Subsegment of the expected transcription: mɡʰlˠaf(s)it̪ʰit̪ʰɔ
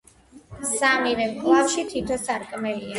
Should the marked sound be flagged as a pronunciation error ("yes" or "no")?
yes